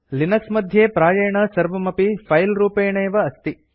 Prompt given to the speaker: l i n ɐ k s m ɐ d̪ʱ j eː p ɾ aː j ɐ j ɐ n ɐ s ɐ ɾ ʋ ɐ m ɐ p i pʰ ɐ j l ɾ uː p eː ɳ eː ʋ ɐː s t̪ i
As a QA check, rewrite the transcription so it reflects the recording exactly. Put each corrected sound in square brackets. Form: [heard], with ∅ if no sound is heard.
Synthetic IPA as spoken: l i n ɐ k s m ɐ d̪ʱ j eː p ɾ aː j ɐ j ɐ [ɳ] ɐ s ɐ ɾ ʋ ɐ m ɐ p i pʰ ɐ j l ɾ uː p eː ɳ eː ʋ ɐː s t̪ i